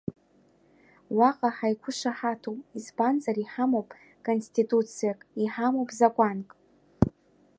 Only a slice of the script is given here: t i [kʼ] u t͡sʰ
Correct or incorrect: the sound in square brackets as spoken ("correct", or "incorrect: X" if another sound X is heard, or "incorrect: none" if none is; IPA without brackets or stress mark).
incorrect: tʼ